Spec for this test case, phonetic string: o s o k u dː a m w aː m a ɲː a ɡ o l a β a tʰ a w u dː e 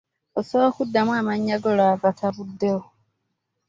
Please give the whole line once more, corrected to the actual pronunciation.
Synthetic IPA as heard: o s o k u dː a m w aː m a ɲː a ɡ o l a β a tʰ a β u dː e